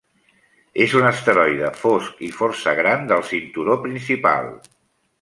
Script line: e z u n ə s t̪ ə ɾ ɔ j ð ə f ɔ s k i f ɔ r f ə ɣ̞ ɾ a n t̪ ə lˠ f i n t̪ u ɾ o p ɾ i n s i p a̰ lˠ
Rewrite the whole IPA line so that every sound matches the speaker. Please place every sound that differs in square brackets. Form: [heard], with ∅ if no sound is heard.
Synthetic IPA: e z u n ə s t̪ ə ɾ ɔ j ð ə f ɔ s k i f ɔ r [s] ə ɣ̞ ɾ a n [d̪] ə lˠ [s] i n t̪ u ɾ o p ɾ i n s i p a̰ lˠ